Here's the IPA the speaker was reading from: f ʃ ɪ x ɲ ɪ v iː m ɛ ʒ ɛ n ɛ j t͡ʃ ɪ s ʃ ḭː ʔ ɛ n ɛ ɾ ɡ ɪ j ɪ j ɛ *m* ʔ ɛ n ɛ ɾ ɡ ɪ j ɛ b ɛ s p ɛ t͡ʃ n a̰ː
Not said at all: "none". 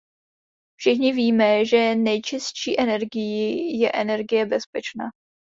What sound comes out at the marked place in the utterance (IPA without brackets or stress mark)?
none